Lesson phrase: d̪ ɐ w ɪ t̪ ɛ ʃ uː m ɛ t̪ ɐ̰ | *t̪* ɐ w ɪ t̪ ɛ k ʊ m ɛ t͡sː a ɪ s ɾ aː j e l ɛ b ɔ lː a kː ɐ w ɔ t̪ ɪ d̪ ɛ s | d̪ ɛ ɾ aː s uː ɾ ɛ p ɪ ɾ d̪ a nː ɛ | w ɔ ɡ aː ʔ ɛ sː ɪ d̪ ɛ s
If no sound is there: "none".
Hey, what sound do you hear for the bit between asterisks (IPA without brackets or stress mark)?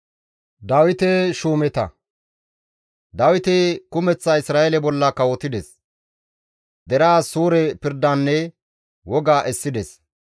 d̪